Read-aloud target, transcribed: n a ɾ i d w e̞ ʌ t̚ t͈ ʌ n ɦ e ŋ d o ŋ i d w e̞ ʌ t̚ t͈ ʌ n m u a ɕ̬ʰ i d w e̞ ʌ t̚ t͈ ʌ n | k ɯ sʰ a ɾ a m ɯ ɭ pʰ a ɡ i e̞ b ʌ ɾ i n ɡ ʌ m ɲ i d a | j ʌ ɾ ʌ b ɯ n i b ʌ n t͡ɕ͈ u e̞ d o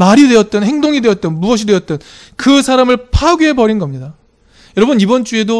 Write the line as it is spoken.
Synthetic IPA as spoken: m a ɾ i d w e̞ ʌ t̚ t͈ ʌ n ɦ e ŋ d o ŋ i d w e̞ ʌ t̚ t͈ ʌ n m u ʌ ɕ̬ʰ i d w e̞ ʌ t̚ t͈ ʌ n | k ɯ sʰ a ɾ a m ɯ ɭ pʰ a ɡ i e̞ b ʌ ɾ i n ɡ ʌ m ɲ i d a | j ʌ ɾ ʌ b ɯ n i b ʌ n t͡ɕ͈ u e̞ d o